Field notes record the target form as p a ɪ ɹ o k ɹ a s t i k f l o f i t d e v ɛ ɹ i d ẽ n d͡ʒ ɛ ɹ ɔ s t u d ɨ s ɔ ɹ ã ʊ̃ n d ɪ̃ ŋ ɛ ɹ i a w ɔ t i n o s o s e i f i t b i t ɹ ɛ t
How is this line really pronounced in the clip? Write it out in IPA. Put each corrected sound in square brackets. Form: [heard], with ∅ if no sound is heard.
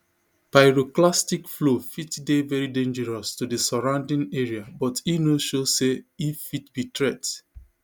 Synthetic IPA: p a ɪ ɹ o k [l] a s t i k f l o f i t d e v ɛ ɹ i d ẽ n d͡ʒ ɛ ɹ ɔ s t u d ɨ s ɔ ɹ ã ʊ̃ n d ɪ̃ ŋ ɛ ɹ i a [b] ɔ t i n o [ʃ] o s e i f i t b i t ɹ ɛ t